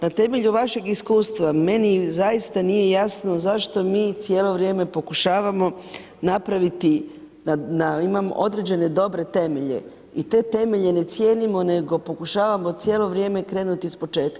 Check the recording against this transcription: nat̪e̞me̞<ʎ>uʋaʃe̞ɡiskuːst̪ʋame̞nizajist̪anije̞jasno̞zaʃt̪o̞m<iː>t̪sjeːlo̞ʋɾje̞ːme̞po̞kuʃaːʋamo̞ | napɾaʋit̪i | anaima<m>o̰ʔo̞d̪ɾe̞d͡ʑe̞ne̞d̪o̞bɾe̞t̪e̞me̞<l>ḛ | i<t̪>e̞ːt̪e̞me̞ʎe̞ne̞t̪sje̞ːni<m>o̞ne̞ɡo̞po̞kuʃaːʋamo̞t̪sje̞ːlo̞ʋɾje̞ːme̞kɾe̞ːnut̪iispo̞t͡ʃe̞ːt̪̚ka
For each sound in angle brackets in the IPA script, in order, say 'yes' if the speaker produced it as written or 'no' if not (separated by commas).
yes, yes, yes, no, yes, yes